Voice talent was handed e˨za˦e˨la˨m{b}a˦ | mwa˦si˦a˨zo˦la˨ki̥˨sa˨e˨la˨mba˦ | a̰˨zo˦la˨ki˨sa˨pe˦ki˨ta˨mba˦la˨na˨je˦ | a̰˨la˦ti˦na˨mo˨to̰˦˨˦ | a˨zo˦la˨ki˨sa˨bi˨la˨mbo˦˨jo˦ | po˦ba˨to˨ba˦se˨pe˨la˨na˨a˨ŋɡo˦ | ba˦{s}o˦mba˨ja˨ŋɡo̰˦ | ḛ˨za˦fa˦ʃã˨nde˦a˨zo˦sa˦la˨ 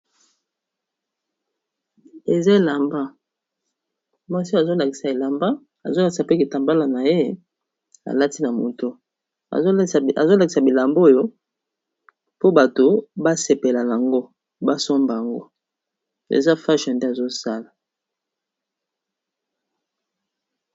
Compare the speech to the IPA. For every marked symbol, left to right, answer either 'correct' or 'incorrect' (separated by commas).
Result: correct, correct